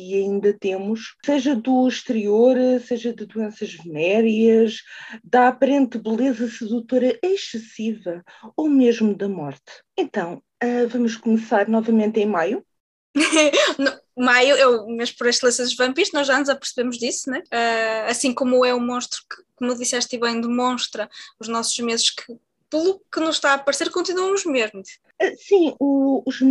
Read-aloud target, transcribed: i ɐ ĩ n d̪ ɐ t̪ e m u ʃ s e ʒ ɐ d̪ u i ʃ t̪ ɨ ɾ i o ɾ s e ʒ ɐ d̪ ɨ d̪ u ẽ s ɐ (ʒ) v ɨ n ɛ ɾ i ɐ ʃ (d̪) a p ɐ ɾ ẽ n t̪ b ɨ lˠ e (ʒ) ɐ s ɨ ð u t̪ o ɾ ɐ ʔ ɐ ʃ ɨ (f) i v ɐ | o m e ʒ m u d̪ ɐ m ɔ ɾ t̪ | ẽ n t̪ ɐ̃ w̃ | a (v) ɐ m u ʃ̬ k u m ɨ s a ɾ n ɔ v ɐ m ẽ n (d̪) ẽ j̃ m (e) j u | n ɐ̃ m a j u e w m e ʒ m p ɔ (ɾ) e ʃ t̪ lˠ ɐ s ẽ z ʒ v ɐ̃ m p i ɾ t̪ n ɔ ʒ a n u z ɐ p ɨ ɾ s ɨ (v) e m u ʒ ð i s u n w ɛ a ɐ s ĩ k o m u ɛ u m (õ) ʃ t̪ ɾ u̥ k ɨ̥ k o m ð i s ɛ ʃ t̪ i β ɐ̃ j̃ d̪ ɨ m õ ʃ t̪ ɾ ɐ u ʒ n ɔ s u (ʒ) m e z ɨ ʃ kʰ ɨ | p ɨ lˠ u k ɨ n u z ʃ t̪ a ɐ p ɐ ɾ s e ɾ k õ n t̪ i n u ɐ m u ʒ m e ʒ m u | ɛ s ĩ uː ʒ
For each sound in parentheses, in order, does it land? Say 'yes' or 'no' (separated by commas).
yes, yes, no, no, yes, no, no, yes, no, yes, yes